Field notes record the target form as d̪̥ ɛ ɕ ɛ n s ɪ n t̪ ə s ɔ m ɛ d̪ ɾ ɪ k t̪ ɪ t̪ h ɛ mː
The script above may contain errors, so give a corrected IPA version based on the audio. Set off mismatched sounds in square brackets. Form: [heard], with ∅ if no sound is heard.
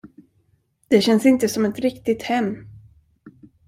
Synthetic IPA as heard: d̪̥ ɛ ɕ ɛ n s ɪ n t̪ ə s ɔ m ɛ [t̪] ɾ ɪ k t̪ ɪ t̪ h ɛ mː